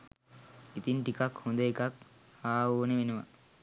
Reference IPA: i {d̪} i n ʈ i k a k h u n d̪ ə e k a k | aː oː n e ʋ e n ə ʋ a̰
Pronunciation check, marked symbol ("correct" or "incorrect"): incorrect